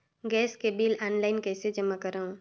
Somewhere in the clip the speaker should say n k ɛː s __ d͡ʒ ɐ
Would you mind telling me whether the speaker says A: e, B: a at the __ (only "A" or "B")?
A